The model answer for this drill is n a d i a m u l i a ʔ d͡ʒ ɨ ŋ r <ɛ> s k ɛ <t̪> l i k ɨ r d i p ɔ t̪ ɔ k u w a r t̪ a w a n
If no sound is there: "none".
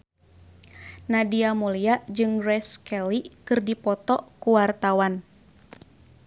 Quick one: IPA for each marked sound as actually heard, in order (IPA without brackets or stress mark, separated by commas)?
ɛ, none